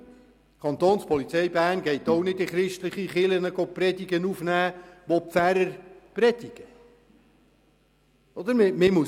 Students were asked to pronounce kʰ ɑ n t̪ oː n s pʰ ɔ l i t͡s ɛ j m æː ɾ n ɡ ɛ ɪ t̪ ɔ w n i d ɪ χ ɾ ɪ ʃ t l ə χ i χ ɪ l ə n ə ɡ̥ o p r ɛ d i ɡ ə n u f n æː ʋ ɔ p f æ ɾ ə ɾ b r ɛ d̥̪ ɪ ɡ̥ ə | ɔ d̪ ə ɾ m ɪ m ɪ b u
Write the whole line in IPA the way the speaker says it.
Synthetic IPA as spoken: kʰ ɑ n t̪ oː n s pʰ ɔ l i t͡s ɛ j b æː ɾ n ɡ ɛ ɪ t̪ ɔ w n ɪ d ɪ χ ɾ ɪ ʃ t l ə χ i χ ɪ l ə n ə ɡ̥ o p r ɛ d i ɡ ə n u f n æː ʋ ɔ p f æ ɾ ə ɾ p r ɛ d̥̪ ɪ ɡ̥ ə | ɔ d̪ ə ɾ m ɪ m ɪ m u